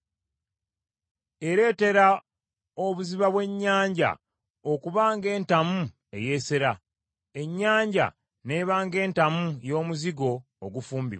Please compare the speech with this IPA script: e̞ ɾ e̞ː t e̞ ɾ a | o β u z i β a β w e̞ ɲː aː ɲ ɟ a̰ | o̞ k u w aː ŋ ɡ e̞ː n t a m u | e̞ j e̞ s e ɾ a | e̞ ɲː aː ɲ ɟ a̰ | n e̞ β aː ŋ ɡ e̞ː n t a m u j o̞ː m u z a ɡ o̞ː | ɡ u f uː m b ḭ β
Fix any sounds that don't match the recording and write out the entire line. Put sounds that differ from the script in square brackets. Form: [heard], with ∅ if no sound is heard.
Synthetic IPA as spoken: e̞ ɾ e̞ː t e̞ ɾ a | o β u z i β a β w e̞ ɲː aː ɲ ɟ a̰ | o̞ k u [β] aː ŋ ɡ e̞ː n t a m u | e̞ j e̞ s e ɾ a | e̞ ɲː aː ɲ ɟ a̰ | n e̞ β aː ŋ ɡ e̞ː n t a m u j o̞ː m u z [i] ɡ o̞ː | ɡ u f uː m b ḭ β